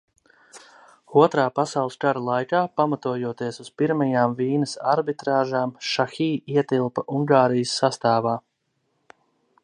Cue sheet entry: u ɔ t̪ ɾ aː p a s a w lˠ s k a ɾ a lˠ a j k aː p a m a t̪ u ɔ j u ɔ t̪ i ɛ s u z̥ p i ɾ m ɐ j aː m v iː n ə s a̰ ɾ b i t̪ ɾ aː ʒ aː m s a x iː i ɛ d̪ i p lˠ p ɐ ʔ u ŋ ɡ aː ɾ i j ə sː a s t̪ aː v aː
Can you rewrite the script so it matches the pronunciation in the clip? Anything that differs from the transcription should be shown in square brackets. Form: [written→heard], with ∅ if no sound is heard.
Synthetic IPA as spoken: u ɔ t̪ ɾ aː p a s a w lˠ s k a ɾ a lˠ a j k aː p a m a t̪ u ɔ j u ɔ t̪ i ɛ s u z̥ p i ɾ m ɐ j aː m v iː n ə s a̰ ɾ b i t̪ ɾ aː ʒ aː m [s→ʃ] a x iː i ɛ [d̪→t̪] i [p→∅] lˠ p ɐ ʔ u ŋ ɡ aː ɾ i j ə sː a s t̪ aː v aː

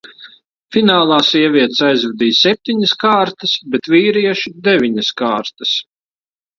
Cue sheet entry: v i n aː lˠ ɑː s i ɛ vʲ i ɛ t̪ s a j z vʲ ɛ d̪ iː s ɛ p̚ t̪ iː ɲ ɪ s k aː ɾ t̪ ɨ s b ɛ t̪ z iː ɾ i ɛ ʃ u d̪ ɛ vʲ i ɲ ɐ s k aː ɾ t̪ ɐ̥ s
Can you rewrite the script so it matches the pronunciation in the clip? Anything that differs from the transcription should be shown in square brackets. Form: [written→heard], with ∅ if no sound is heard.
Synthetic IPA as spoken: [v→f] i n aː lˠ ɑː s i ɛ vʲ i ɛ t̪ s a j z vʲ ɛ d̪ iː s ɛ p̚ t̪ [iː→i] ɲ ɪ s k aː ɾ t̪ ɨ s b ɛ t̪ [z→v] iː ɾ i ɛ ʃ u d̪ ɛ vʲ i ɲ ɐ s k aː ɾ t̪ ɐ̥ s

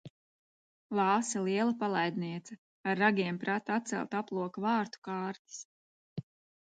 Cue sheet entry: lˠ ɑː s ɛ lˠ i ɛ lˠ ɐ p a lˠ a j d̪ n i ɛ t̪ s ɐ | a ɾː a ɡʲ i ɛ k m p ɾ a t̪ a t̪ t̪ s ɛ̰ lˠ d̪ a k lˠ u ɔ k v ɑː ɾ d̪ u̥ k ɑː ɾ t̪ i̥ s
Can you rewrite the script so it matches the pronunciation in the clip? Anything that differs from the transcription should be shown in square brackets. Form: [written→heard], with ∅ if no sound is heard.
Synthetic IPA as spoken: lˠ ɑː s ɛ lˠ i ɛ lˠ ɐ p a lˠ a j d̪ n i ɛ t̪ s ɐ | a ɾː a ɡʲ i ɛ [k→∅] m p ɾ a t̪ a t̪ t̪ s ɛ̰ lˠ [d̪→t̪] a [k→p] lˠ u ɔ k v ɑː ɾ [d̪→t̪] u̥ k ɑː ɾ t̪ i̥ s

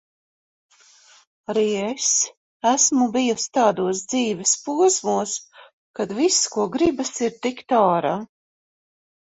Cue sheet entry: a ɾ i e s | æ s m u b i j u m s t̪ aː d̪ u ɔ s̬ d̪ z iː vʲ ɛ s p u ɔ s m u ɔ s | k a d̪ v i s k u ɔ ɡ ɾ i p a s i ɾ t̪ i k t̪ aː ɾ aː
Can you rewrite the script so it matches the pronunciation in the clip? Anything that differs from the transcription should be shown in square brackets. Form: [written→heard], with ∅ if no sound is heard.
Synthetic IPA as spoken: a ɾ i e s | æ s m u b i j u [m→∅] s t̪ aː d̪ u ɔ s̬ d̪ z iː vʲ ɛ s p u ɔ s m u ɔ s | k a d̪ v i s k u ɔ ɡ ɾ i [p→b] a s i ɾ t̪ i k t̪ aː ɾ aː

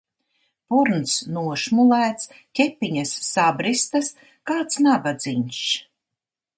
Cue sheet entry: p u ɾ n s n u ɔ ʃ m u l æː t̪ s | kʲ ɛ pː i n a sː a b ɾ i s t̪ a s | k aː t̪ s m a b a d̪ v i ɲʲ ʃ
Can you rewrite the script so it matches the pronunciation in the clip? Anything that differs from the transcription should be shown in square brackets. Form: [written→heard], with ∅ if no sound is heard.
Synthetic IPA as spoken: p u ɾ n s n u ɔ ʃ m u l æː t̪ s | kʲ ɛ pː i [n→ɲ] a sː a b ɾ i s t̪ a s | k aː t̪ s [m→n] a b a d̪ [v→z] i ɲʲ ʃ

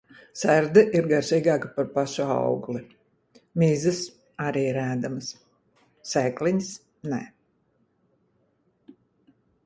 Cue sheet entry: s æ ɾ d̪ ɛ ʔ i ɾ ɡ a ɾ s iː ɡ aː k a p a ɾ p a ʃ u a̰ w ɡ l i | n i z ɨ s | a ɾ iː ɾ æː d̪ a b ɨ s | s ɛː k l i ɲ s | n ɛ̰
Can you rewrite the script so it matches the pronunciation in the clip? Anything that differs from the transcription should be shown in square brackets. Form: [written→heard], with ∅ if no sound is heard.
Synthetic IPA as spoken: s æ ɾ d̪ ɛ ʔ i ɾ ɡ a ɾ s iː ɡ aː k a p a ɾ p a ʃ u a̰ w ɡ l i | [n→m] i z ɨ s | a ɾ iː ɾ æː d̪ a [b→m] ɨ s | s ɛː k l i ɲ s | n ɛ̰

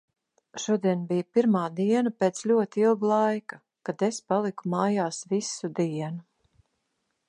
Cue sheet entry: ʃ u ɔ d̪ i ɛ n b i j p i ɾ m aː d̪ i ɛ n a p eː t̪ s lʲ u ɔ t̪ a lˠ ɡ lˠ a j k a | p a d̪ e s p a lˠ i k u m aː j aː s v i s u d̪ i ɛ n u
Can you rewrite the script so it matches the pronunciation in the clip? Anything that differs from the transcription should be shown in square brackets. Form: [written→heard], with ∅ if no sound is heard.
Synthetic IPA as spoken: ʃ u ɔ d̪ i ɛ n b i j p i ɾ m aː d̪ i ɛ n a p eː t̪ s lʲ u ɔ t̪ [a→i] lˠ ɡ lˠ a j k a | [p→k] a d̪ e s p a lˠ i k u m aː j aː s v i s u d̪ i ɛ n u

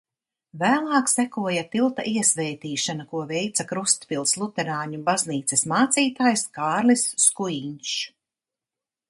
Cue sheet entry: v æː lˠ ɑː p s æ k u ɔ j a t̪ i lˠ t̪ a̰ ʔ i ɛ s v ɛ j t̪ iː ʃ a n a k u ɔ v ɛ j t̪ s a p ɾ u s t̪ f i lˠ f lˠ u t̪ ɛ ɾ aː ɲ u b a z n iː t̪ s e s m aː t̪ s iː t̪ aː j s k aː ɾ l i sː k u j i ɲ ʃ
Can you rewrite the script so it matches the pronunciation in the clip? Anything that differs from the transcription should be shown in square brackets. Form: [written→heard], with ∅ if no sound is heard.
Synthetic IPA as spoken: v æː lˠ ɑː [p→k] s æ k u ɔ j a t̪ i lˠ t̪ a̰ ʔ i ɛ s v ɛ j t̪ iː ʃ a n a k u ɔ v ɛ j t̪ s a [p→k] ɾ u s t̪ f i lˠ [f→s] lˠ u t̪ ɛ ɾ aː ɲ u b a z n iː t̪ s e s m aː t̪ s iː t̪ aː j s k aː ɾ l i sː k u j i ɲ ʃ

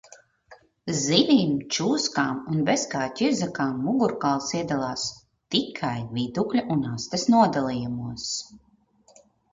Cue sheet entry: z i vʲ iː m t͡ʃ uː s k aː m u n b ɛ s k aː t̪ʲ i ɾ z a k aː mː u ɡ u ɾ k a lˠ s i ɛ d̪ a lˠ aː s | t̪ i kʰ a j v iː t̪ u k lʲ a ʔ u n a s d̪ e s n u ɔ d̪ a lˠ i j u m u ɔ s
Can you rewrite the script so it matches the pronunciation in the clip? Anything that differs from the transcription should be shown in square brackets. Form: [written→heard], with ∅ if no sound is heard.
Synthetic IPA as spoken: z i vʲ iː m t͡ʃ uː s k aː m u n b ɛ s k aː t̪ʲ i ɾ z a k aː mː u ɡ u ɾ k a lˠ s i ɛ d̪ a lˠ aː s | t̪ i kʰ a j v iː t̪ u k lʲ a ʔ u n a s [d̪→t̪] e s n u ɔ d̪ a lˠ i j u m u ɔ s

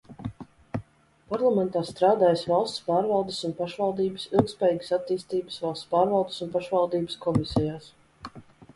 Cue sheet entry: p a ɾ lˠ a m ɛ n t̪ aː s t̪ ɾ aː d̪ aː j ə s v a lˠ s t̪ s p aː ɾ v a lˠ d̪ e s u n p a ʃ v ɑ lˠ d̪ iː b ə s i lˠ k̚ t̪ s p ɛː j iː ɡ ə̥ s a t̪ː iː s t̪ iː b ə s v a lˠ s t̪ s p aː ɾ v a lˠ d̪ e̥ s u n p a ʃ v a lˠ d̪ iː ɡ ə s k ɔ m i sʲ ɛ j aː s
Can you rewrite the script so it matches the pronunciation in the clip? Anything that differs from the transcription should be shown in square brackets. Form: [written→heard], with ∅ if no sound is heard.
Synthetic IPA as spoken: p a ɾ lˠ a m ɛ n t̪ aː s t̪ ɾ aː d̪ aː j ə s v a lˠ s t̪ s p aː ɾ v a lˠ d̪ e s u n p a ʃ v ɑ lˠ d̪ iː b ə s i lˠ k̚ t̪ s p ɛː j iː ɡ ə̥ s a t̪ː iː s t̪ iː b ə s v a lˠ s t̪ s p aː ɾ v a lˠ d̪ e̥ s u n p a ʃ v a lˠ d̪ iː [ɡ→b] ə s k ɔ m i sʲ ɛ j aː s

